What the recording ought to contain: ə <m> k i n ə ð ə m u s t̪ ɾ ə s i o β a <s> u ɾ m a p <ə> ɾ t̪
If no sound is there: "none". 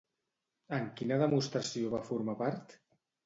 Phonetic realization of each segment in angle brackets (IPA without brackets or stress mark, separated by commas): ŋ, f, a